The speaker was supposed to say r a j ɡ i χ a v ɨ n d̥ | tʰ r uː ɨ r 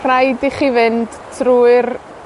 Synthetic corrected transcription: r a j d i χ i v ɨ n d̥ | tʰ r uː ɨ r